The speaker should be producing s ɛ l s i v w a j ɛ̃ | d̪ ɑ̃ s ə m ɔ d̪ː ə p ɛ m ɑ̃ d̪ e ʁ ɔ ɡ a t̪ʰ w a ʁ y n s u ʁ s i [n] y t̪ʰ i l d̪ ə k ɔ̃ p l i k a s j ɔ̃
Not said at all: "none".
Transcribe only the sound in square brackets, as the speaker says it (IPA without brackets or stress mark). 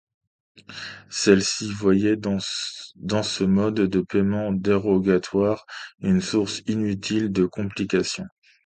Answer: n